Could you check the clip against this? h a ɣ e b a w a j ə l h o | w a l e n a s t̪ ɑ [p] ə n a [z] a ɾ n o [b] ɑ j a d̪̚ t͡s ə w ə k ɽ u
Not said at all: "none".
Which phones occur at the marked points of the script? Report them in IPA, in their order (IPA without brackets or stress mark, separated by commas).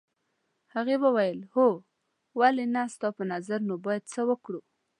p, z, b